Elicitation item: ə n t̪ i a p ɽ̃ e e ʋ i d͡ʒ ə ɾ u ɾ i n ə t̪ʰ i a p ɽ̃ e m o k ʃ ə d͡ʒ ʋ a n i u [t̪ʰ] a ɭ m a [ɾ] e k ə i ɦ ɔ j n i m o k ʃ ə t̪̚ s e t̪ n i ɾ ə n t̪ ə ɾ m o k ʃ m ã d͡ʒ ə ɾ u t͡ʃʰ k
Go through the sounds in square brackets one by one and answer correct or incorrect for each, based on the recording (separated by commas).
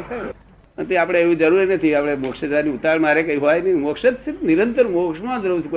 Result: incorrect, correct